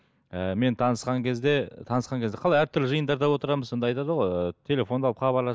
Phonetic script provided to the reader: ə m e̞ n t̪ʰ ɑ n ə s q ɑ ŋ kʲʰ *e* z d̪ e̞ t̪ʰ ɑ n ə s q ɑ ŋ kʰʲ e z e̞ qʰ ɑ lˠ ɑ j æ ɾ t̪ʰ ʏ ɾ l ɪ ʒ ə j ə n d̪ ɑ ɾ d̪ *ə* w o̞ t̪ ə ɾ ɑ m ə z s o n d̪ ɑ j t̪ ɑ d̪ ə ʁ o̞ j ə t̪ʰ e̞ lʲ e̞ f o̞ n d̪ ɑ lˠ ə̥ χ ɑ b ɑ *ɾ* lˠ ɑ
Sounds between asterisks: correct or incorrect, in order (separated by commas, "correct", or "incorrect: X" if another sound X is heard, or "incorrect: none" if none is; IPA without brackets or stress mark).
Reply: correct, incorrect: ɑ, correct